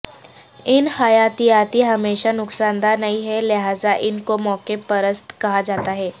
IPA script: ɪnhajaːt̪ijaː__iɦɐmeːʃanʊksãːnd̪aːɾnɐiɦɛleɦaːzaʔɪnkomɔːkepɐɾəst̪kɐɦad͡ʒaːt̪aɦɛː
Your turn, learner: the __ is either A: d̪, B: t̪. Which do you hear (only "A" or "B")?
B